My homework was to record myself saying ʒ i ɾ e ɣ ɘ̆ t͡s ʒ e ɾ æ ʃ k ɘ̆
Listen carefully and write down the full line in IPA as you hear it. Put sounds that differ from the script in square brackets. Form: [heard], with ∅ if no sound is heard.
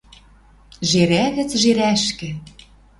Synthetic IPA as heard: ʒ [e] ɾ [æ] ɣ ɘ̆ t͡s ʒ e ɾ æ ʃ k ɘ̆